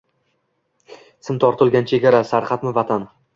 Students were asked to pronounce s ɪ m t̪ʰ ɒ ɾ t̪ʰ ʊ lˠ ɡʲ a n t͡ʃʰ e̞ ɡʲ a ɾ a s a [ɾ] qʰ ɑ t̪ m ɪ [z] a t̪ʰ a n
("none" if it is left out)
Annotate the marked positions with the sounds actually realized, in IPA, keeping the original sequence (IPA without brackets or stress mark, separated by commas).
ɾ, v